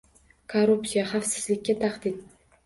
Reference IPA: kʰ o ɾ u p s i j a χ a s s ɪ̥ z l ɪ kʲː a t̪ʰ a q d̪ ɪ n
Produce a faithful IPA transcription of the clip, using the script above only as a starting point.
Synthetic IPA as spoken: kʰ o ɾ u p s i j a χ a f s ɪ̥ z l ɪ kʲː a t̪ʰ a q d̪ ɪ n